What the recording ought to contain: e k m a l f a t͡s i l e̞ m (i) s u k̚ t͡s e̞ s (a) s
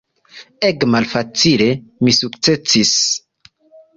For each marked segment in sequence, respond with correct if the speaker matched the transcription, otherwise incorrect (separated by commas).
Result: correct, incorrect